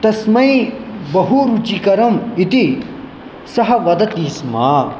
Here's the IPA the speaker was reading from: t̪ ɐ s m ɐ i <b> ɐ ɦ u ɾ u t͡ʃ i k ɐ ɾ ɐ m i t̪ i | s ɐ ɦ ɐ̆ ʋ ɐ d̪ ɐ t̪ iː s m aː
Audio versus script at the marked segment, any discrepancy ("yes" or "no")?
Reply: no